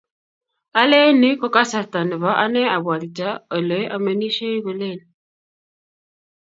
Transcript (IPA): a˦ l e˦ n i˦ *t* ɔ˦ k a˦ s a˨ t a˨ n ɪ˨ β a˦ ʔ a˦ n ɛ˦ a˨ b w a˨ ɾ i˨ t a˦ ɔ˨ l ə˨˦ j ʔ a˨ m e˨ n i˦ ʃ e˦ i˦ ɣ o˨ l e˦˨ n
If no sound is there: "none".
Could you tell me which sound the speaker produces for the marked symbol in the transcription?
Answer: k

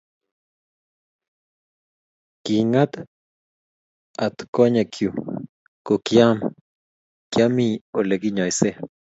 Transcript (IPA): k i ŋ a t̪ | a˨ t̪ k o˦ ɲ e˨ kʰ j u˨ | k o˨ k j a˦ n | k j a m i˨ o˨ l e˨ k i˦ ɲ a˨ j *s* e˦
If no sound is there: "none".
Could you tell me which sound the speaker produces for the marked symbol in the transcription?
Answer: s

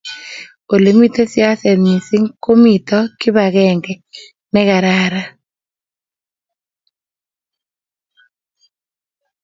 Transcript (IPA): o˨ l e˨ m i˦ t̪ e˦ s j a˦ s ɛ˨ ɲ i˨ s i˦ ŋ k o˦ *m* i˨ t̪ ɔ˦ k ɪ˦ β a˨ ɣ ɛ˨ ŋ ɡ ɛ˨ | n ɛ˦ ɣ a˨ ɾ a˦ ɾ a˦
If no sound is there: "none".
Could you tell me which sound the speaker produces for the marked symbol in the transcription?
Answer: m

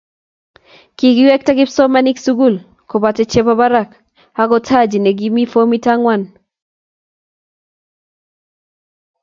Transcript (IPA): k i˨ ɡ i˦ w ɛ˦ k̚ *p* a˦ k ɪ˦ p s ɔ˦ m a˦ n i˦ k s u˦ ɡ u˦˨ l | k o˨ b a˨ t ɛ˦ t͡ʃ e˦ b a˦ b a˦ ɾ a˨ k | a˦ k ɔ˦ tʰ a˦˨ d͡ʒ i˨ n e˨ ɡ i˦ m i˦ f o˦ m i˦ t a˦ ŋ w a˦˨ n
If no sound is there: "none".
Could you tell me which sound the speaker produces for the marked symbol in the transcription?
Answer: t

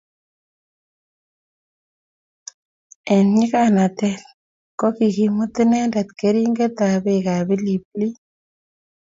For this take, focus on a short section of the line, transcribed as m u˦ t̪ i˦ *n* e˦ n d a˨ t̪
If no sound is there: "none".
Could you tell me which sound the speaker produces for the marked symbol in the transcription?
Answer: n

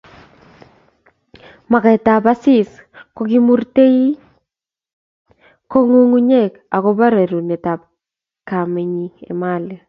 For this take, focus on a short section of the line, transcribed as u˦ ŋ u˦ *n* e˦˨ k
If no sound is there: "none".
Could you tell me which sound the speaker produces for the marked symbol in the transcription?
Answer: ɲ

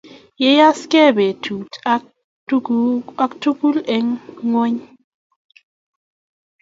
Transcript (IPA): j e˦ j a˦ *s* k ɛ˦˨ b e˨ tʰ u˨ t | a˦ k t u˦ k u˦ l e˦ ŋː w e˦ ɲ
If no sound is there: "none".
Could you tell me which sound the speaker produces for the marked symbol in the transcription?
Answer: s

